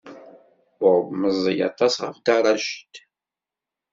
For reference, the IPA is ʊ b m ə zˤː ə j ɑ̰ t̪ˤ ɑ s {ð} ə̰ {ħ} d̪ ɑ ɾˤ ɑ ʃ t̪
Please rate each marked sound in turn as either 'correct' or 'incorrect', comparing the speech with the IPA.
incorrect, incorrect

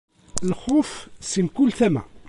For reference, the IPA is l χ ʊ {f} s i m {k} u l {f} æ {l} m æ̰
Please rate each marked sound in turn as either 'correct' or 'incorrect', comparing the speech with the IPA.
correct, correct, incorrect, incorrect

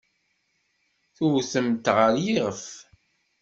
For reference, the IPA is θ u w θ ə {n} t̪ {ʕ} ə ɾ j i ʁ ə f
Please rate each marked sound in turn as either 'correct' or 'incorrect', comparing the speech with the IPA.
incorrect, incorrect

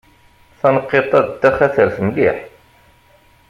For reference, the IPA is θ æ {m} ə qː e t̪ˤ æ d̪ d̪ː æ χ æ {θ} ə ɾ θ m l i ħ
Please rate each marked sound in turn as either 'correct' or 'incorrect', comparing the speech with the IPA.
incorrect, correct

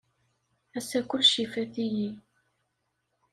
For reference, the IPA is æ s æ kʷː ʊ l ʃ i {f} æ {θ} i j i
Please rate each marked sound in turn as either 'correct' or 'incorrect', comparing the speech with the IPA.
correct, correct

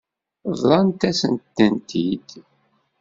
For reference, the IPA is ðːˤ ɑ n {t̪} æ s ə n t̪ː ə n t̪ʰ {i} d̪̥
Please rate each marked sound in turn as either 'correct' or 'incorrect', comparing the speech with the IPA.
correct, correct

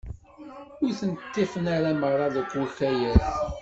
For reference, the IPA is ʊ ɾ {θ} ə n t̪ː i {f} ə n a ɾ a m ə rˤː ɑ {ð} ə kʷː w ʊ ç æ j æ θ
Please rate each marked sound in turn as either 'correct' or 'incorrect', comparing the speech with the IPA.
correct, correct, correct

